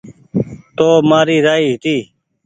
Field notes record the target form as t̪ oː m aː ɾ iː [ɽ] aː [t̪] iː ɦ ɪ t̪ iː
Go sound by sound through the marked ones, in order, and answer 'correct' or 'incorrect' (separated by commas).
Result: incorrect, incorrect